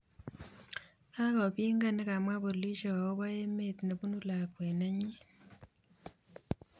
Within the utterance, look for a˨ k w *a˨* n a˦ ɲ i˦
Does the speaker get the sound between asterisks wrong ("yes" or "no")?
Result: yes